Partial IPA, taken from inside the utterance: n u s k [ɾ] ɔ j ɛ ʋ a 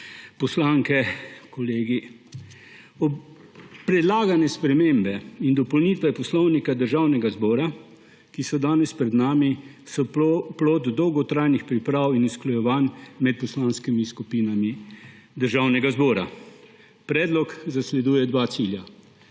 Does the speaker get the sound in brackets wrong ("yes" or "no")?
yes